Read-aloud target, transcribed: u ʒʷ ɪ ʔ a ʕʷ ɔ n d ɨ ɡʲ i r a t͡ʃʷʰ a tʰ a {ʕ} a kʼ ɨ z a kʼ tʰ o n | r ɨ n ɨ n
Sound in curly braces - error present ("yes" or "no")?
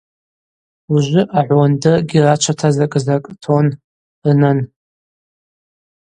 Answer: yes